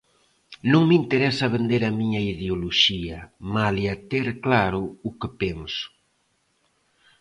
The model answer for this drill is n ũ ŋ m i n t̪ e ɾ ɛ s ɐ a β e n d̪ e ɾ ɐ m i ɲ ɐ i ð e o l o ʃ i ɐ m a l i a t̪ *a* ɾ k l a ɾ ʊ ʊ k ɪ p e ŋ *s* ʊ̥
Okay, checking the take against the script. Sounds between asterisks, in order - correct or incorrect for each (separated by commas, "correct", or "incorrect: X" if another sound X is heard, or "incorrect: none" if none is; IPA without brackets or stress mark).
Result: incorrect: e, correct